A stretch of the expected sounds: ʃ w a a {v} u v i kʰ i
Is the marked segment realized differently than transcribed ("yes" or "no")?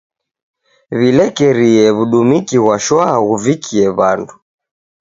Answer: yes